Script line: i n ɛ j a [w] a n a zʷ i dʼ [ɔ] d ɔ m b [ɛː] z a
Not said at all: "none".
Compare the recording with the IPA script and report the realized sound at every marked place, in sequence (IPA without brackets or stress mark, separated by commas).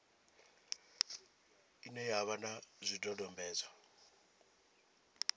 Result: β, ɔ, ɛː